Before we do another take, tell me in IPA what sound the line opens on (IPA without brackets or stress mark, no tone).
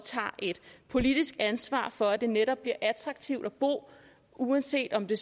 t͡sʰ